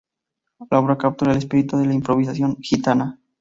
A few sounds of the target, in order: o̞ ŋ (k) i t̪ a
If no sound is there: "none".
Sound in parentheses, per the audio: x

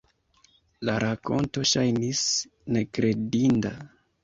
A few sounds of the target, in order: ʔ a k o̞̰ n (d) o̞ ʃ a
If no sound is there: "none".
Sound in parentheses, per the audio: t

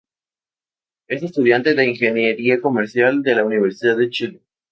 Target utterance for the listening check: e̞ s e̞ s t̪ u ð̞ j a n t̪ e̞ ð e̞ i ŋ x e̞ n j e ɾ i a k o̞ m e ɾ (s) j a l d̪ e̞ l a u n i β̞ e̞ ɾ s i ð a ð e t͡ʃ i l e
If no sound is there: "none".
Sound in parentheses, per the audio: s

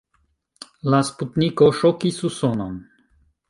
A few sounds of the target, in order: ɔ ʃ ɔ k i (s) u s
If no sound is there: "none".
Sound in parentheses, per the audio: s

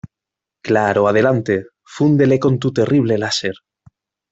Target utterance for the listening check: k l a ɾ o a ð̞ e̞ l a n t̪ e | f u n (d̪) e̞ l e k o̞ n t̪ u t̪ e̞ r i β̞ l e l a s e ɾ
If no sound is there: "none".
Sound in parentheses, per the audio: d̪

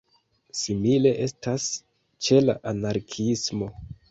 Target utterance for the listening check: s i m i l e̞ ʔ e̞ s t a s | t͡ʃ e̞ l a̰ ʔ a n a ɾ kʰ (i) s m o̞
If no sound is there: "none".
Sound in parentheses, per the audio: i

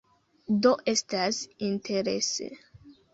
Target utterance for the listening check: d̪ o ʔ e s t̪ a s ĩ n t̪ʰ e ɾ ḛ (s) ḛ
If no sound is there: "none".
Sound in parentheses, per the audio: s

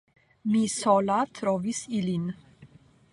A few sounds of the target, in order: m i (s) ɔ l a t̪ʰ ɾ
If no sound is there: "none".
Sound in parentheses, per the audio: s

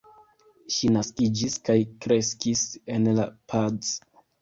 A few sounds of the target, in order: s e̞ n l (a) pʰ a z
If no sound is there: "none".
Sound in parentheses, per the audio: a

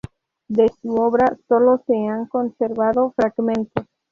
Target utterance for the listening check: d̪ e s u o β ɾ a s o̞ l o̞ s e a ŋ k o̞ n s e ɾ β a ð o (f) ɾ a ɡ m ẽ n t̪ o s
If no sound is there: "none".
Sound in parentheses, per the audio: f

